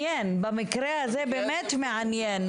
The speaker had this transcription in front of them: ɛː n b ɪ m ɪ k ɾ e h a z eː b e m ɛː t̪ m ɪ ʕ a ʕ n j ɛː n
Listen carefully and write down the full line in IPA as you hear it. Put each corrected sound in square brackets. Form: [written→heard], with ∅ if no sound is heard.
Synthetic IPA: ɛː n b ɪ m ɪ k ɾ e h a z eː b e m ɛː t̪ m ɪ ʕ a [ʕ→∅] n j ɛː n